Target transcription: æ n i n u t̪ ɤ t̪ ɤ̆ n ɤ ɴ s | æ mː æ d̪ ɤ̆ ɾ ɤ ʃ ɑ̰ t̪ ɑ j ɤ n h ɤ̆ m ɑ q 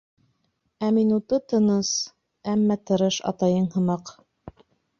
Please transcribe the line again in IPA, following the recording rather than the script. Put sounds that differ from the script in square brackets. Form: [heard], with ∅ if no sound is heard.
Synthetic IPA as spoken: æ [m] i n u t̪ ɤ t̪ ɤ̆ n ɤ [∅] s | æ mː æ [t̪] ɤ̆ ɾ ɤ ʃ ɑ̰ t̪ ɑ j ɤ [ɴ] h ɤ̆ m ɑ q